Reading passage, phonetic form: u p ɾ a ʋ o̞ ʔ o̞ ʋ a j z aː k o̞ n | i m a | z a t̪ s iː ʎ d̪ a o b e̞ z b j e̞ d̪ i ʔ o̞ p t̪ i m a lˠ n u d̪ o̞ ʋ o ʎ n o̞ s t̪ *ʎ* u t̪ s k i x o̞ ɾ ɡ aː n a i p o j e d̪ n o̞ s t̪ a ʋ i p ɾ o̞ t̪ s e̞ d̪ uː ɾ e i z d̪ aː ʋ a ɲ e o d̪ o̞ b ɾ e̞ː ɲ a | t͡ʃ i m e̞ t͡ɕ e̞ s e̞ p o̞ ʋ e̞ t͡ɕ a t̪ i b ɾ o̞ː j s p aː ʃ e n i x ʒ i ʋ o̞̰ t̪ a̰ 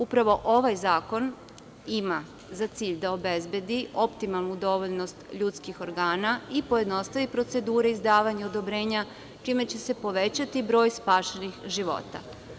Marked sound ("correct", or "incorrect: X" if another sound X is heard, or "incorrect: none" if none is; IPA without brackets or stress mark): correct